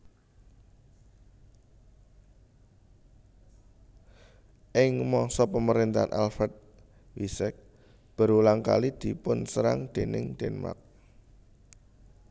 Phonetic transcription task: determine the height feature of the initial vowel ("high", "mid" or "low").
high